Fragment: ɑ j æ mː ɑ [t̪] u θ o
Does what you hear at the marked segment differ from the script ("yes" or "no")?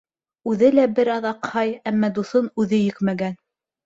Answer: yes